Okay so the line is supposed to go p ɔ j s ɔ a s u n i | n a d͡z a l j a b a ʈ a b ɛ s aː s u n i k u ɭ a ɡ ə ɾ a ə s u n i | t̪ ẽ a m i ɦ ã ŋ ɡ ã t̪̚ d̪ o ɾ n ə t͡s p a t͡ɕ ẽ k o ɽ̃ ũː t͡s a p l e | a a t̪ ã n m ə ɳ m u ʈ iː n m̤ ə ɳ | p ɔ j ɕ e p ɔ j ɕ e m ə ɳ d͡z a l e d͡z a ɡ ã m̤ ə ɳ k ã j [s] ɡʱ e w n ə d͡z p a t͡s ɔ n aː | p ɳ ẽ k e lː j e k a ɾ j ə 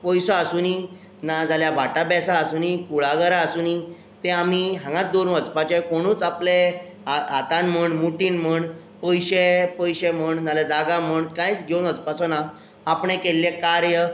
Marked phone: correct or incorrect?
incorrect